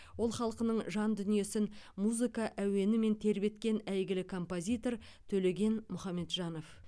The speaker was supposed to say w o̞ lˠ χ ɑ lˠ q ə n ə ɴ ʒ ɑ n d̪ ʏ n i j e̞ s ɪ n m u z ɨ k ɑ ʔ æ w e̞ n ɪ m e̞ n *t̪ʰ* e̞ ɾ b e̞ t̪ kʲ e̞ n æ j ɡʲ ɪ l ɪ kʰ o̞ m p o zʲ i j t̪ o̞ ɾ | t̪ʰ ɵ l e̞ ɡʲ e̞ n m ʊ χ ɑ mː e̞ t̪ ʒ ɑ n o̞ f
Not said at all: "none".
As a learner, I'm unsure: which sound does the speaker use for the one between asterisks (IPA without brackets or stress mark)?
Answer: t̪ʰ